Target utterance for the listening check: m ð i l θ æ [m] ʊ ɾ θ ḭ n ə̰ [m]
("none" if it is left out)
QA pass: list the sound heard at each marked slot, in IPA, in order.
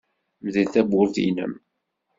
b, m

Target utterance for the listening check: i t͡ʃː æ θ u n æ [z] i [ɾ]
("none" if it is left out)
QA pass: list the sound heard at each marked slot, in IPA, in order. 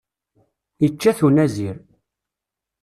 z, ɾ

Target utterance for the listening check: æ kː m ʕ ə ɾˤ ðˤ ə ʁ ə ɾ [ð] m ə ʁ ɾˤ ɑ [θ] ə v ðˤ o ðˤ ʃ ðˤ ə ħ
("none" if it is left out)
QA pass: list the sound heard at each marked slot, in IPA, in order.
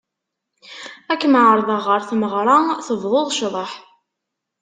θ, θ

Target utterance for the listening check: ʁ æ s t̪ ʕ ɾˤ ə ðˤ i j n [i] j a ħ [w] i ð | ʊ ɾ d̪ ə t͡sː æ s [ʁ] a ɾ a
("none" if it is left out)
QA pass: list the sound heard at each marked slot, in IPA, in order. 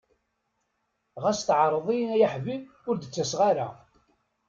æ, v, ʁ

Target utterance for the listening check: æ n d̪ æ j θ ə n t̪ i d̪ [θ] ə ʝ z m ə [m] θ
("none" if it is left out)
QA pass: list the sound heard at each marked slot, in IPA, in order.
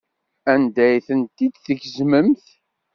θ, m

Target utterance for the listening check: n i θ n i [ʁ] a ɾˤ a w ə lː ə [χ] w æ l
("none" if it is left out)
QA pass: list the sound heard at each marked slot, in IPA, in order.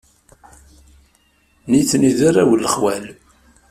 ð, χ

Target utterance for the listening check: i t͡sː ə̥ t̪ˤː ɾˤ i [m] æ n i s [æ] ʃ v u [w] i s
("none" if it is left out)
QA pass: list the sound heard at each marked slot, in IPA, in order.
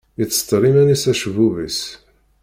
m, æ, v

